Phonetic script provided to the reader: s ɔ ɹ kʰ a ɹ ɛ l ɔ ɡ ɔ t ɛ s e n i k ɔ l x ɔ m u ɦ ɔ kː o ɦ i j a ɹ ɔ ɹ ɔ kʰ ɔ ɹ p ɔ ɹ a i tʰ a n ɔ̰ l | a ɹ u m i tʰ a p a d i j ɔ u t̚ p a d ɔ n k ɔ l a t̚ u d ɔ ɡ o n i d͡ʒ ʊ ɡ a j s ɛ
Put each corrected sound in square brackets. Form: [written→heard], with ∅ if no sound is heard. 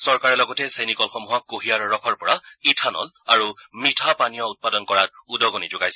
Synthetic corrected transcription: s ɔ ɹ [kʰ→k] a ɹ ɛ l ɔ ɡ ɔ t ɛ s e n i k ɔ l x ɔ m u ɦ ɔ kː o ɦ i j a ɹ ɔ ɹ ɔ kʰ ɔ ɹ p ɔ ɹ a i tʰ a n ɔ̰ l | a ɹ u m i tʰ a p a [d→n] i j ɔ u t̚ p a d ɔ n k ɔ [l→ɹ] a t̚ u d ɔ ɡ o n i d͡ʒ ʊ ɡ a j s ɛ